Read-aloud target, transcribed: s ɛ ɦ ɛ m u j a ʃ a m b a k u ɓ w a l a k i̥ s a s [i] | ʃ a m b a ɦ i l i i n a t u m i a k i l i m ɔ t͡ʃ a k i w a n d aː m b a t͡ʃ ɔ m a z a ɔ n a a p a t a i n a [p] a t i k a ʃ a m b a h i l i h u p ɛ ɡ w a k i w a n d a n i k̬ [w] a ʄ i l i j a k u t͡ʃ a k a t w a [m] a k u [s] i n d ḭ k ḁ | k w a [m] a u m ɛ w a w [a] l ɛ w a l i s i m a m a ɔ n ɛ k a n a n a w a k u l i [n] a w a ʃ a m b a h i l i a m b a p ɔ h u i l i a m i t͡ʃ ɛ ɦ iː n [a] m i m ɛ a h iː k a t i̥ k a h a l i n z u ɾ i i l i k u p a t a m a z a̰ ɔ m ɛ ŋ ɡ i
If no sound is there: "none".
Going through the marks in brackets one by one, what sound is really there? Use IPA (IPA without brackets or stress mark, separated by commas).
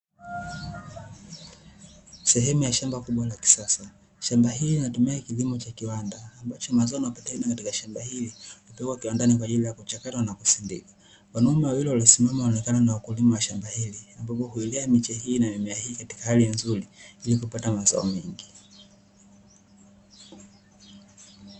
a, k, w, n, s, n, i, m, a